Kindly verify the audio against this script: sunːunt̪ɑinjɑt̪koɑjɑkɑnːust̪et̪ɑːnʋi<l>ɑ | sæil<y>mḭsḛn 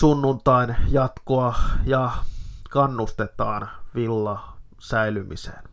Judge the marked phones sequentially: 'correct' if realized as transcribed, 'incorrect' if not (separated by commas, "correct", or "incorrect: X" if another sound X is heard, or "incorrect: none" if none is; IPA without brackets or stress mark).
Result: incorrect: lː, correct